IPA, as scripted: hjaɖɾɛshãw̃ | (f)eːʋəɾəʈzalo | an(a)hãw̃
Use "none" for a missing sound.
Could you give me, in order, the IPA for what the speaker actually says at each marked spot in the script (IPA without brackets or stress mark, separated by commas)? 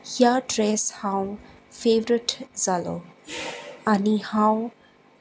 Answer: f, i